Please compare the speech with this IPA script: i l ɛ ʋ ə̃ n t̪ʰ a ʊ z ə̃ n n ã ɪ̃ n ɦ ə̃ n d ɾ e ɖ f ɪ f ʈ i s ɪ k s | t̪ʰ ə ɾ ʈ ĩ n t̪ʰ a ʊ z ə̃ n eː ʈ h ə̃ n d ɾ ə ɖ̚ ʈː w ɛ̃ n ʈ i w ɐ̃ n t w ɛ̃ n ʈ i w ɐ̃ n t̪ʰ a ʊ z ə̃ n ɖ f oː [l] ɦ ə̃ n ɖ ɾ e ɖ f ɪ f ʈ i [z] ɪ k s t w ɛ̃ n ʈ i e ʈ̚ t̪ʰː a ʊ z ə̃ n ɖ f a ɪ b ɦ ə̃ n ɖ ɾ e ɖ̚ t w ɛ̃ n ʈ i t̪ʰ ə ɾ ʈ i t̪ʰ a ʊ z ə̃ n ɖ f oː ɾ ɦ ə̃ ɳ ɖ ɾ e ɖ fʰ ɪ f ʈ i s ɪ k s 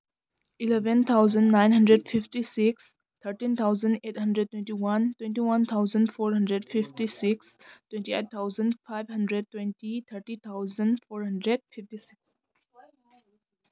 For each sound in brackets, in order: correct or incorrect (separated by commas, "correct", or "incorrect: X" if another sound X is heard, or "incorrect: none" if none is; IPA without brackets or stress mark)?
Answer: incorrect: ɾ, incorrect: s